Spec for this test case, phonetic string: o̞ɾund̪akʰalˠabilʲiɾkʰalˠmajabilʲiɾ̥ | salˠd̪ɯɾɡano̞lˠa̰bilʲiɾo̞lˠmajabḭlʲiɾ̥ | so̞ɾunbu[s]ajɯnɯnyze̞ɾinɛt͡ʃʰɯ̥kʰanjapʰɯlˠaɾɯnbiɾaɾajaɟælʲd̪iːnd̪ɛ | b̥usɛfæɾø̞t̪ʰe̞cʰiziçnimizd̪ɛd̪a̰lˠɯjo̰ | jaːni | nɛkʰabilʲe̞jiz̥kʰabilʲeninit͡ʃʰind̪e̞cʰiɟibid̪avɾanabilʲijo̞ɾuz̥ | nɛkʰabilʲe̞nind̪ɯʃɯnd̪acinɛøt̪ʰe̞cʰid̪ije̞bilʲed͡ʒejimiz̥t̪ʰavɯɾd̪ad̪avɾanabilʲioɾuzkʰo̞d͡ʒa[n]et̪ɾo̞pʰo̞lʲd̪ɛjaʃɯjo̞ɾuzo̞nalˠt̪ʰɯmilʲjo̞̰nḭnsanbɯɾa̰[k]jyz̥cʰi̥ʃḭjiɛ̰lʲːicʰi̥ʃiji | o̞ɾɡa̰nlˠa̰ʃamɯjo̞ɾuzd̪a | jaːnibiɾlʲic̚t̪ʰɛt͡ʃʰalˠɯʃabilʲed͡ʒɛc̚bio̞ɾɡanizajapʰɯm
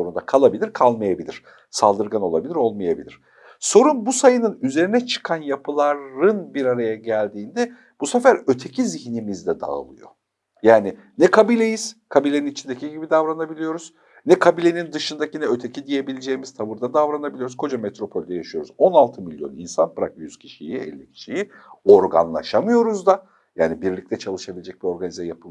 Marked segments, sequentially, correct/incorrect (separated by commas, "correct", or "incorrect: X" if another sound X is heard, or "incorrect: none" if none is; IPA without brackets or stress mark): correct, incorrect: m, correct